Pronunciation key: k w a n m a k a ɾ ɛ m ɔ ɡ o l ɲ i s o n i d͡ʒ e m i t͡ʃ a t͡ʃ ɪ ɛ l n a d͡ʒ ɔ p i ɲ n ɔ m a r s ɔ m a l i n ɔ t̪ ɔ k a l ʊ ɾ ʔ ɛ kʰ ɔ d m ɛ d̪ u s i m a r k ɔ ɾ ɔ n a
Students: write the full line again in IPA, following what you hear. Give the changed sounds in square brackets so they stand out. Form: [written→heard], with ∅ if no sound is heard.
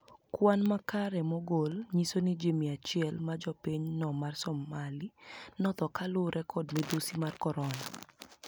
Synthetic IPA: k w a n m a k a ɾ ɛ m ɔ ɡ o l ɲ i s o n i d͡ʒ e m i [t͡ʃ→∅] a t͡ʃ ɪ ɛ l [n→m] a d͡ʒ ɔ p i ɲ n ɔ m a r s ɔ m a l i n ɔ t̪ ɔ k a l ʊ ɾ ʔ ɛ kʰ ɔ d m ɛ d̪ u s i m a r k ɔ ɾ ɔ n a